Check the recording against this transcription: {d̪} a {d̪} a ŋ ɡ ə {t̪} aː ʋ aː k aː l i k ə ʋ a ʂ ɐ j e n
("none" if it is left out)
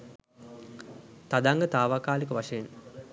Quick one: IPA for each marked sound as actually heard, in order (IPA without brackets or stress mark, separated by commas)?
t̪, d̪, t̪